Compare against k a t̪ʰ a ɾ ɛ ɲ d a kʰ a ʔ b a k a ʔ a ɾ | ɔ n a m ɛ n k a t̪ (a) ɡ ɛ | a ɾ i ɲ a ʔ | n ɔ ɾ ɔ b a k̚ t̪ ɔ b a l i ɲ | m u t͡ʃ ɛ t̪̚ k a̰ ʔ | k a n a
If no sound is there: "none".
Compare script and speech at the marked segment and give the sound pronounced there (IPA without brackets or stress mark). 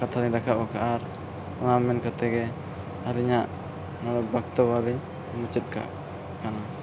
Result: ɛ